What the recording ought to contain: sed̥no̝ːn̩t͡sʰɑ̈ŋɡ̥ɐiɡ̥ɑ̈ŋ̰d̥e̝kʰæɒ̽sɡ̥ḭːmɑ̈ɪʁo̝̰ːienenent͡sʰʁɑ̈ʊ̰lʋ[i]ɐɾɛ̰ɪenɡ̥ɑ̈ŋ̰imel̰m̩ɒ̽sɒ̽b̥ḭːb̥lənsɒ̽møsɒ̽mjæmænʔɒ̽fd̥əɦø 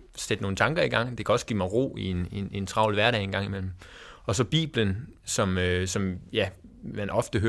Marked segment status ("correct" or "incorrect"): incorrect